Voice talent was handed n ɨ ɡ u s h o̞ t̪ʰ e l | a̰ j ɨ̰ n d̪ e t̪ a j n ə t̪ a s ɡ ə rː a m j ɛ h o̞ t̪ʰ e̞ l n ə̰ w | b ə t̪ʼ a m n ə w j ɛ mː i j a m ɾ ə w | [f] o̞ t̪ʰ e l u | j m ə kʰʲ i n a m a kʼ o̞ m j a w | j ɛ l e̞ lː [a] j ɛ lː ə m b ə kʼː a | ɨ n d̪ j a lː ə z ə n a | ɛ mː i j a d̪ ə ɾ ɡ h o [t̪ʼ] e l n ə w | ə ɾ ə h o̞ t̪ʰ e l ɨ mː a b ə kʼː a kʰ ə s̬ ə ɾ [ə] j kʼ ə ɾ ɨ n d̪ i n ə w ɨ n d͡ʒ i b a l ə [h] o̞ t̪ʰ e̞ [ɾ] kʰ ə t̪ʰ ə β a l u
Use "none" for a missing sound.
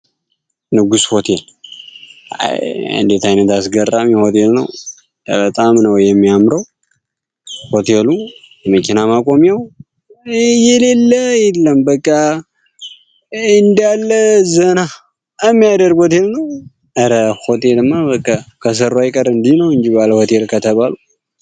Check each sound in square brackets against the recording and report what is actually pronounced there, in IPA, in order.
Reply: h, ə, t̪, a, h, l

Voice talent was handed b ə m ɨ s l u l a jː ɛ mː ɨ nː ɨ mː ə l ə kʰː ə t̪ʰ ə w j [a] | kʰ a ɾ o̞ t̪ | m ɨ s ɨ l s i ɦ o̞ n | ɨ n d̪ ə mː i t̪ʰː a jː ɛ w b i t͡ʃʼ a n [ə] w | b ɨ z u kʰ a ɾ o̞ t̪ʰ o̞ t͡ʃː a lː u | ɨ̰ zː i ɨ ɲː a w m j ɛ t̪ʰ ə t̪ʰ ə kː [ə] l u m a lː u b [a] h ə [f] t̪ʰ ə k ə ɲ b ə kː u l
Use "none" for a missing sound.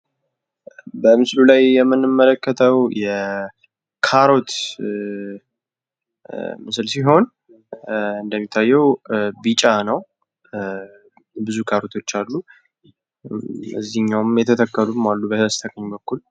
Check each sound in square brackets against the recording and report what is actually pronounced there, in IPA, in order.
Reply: ɛ, ə, ə, ə, s

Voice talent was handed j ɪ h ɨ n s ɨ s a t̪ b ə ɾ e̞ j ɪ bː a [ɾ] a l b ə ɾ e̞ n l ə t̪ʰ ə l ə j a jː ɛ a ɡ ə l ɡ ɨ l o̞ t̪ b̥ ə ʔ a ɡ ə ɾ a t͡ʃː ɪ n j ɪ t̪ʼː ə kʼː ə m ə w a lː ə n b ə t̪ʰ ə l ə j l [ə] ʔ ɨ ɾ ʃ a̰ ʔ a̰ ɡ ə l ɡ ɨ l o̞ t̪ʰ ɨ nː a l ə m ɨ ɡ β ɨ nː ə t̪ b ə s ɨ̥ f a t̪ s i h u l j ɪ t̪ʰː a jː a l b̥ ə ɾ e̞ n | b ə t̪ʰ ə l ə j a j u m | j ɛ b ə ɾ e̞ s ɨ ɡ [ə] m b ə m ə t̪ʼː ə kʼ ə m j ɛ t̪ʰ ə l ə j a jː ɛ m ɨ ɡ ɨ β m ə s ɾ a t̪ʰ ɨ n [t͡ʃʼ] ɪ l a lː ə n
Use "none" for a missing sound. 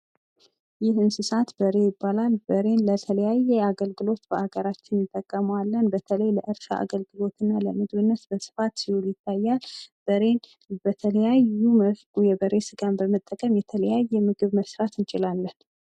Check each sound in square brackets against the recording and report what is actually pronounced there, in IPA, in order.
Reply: l, ə, a, t͡ʃʼ

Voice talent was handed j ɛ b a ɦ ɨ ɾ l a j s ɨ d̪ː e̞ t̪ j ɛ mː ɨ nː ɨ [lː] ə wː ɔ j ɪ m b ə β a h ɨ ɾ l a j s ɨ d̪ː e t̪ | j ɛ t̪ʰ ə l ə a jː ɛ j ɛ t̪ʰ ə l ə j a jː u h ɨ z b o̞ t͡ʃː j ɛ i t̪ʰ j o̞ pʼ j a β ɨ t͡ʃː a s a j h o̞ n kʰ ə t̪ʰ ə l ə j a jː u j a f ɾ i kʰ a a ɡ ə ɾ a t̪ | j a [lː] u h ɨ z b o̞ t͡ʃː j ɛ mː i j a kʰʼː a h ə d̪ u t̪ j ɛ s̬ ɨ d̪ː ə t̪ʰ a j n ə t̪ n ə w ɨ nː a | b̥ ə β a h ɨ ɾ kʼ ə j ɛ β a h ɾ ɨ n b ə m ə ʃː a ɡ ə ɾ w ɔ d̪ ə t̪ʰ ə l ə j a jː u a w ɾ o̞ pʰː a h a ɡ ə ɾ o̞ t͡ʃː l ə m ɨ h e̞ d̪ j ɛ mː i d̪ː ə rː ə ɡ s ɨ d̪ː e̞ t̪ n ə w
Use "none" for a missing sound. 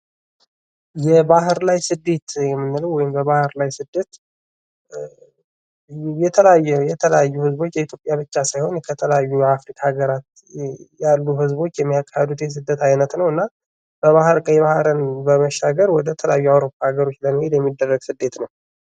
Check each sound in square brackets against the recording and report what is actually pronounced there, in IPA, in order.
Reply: l, lː

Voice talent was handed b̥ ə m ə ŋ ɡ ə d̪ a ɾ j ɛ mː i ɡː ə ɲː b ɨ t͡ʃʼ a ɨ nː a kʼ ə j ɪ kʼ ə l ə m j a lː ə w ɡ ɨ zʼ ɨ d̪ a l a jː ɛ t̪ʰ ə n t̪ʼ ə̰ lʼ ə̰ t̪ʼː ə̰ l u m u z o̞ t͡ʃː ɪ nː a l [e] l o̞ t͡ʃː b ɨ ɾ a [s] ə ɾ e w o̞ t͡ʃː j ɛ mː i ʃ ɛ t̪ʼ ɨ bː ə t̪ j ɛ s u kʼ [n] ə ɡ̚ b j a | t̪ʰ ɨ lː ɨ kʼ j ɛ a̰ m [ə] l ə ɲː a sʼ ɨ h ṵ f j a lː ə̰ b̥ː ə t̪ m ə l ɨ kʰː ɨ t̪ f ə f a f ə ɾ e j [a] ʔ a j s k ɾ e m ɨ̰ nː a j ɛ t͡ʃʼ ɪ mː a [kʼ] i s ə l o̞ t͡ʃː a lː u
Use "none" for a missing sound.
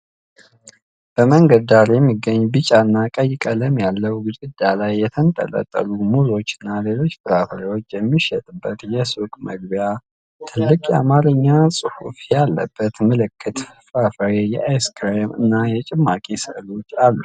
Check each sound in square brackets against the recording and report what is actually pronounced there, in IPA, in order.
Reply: e, f, m, a, ɛ, kʼ

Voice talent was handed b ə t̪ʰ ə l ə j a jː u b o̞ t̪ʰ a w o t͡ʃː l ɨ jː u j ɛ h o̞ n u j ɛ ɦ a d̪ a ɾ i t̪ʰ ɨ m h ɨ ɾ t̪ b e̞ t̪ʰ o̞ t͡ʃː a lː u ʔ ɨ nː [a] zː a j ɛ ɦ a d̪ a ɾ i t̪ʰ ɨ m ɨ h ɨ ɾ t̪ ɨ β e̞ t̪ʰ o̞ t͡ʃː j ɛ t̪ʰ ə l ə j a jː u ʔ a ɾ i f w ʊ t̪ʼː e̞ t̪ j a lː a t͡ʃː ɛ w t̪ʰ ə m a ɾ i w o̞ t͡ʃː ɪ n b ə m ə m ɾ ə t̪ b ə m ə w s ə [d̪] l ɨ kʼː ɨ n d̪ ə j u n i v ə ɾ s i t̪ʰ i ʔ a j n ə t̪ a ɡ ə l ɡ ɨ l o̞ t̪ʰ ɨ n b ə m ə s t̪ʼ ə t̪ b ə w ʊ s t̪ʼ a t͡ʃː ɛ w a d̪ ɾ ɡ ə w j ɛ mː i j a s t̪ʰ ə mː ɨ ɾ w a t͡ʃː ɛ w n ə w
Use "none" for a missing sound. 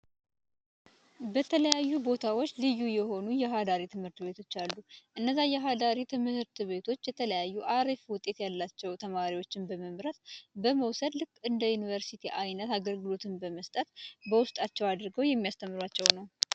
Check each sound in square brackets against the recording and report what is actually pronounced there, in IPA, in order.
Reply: ə, d̪

